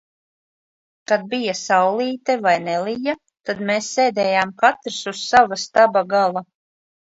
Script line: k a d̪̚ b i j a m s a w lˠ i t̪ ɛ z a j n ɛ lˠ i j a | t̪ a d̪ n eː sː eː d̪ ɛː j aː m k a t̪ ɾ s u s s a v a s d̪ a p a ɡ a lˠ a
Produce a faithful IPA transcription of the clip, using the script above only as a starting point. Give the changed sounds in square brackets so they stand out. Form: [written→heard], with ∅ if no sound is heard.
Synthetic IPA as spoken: k a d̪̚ b i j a [m→∅] s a w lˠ [i→iː] t̪ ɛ [z→v] a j n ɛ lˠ i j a | t̪ a d̪ [n→m] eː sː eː d̪ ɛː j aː m k a t̪ ɾ s u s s a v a s [d̪→t̪] a [p→b] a ɡ a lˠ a